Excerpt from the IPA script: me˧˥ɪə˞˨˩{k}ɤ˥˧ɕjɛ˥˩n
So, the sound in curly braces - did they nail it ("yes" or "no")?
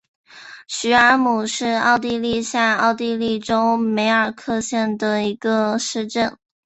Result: no